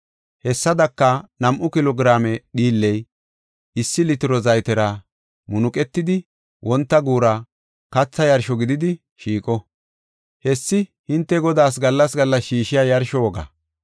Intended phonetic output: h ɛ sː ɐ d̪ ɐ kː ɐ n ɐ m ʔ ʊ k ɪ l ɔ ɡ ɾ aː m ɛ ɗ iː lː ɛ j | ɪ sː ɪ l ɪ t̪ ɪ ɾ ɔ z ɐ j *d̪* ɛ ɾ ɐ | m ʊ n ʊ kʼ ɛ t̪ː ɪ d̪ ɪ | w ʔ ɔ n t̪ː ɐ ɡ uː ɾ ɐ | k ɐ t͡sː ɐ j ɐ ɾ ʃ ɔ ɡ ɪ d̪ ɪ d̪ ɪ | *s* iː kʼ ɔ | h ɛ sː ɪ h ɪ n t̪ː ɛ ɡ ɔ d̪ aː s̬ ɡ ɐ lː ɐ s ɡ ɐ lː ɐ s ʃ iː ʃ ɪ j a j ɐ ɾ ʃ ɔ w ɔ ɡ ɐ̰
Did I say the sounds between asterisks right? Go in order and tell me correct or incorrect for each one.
incorrect, incorrect

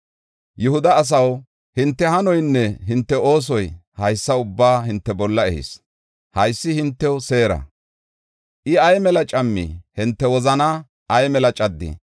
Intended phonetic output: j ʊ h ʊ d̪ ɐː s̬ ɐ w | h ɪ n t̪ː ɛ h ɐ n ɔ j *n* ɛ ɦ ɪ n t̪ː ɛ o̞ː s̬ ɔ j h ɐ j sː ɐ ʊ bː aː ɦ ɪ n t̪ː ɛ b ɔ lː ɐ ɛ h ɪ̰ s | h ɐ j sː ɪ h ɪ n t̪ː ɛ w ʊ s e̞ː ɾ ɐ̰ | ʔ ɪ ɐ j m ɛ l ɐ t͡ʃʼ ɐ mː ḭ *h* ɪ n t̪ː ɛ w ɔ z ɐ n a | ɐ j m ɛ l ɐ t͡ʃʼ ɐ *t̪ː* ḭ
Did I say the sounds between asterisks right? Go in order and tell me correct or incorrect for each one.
incorrect, correct, incorrect

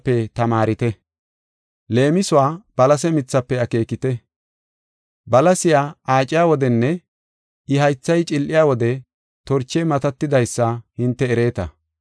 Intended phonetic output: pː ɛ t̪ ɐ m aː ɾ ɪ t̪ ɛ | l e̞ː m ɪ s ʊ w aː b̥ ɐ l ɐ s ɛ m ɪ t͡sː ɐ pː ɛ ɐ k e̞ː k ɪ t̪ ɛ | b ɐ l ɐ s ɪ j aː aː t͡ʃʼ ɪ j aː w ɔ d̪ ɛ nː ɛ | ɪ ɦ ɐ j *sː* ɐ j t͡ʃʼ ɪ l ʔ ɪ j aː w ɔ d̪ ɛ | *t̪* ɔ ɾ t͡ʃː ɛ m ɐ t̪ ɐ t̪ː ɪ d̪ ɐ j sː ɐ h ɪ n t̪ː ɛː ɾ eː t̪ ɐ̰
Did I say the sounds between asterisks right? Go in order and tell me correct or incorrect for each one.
incorrect, correct

